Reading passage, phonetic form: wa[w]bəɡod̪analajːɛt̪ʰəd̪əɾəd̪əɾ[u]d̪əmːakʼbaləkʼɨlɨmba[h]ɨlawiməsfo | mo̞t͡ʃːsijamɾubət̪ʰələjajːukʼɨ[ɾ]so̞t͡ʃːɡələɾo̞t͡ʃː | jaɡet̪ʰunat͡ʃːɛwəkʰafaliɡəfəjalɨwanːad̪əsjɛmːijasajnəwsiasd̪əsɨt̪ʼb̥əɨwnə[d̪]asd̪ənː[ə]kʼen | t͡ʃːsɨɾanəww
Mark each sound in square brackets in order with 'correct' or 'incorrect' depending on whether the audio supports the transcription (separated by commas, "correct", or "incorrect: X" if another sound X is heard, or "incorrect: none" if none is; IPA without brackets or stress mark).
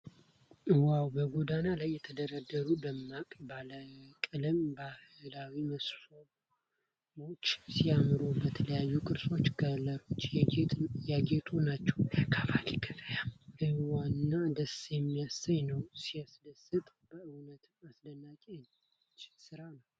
correct, correct, correct, correct, incorrect: t̪, incorrect: a